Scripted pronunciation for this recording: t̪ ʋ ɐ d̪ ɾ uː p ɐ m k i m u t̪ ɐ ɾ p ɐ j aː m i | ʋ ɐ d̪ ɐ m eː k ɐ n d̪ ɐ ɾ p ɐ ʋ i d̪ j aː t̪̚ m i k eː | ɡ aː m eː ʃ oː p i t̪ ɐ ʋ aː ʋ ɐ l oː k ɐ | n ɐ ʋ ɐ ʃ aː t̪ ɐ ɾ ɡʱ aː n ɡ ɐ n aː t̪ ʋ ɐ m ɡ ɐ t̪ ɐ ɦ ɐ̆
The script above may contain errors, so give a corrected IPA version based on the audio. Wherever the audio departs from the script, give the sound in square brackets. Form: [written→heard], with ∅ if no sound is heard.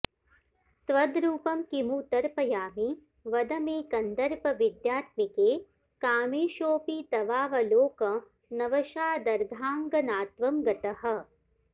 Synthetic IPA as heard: t̪ ʋ ɐ d̪ ɾ uː p ɐ m k i m u t̪ ɐ ɾ p ɐ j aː m i | ʋ ɐ d̪ ɐ m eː k ɐ n d̪ ɐ ɾ p ɐ ʋ i d̪ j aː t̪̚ m i k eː | [ɡ→k] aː m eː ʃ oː p i t̪ ɐ ʋ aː ʋ ɐ l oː k ɐ | n ɐ ʋ ɐ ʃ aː [t̪→d̪] ɐ ɾ ɡʱ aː [n→ŋ] ɡ ɐ n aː t̪ ʋ ɐ m ɡ ɐ t̪ ɐ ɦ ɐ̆

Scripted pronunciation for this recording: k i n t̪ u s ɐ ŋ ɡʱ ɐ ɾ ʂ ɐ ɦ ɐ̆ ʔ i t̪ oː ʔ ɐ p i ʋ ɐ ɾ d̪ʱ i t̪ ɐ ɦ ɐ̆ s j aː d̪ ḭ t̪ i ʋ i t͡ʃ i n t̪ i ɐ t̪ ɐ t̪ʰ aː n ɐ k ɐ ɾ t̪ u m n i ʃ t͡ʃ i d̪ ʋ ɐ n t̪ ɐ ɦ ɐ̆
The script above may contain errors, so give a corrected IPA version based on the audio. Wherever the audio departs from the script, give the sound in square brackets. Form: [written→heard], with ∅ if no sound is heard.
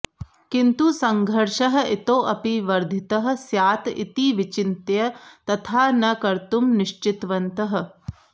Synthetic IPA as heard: k i n t̪ u s ɐ ŋ ɡʱ ɐ ɾ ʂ ɐ ɦ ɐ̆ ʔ i t̪ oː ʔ ɐ p i ʋ ɐ ɾ d̪ʱ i t̪ ɐ ɦ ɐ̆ s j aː [d̪→t̪] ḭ t̪ i ʋ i t͡ʃ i n t̪ [i→j] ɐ t̪ ɐ t̪ʰ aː n ɐ k ɐ ɾ t̪ u m n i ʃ t͡ʃ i [d̪→t̪] ʋ ɐ n t̪ ɐ ɦ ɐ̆

